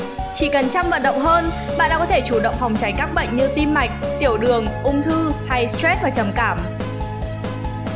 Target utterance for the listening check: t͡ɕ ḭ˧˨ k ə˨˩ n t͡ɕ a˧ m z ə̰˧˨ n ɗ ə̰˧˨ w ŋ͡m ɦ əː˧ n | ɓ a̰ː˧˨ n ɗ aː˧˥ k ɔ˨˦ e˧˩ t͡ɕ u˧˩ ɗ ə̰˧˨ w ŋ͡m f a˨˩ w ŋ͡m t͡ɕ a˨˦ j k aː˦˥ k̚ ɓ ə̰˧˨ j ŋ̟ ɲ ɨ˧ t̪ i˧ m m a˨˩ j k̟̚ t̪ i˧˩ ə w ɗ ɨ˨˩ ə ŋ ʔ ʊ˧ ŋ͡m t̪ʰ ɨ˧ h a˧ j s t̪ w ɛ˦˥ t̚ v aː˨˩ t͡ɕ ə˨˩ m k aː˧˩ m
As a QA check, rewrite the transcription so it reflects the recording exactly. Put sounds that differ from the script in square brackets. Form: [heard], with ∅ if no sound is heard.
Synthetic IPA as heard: t͡ɕ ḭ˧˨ k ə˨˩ n t͡ɕ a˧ m [v] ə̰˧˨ n ɗ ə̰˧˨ w ŋ͡m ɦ əː˧ n | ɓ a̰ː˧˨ n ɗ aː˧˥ k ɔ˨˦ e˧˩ t͡ɕ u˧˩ ɗ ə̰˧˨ w ŋ͡m f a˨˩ w ŋ͡m t͡ɕ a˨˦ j k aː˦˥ k̚ ɓ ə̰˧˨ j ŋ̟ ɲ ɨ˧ t̪ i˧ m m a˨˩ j k̟̚ t̪ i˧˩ ə w ɗ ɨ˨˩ ə ŋ ʔ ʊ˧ ŋ͡m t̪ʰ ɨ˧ h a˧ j s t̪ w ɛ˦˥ t̚ v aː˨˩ t͡ɕ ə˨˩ m k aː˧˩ m